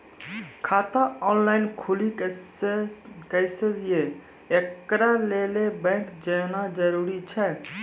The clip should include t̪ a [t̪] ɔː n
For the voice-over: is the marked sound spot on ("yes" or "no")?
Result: no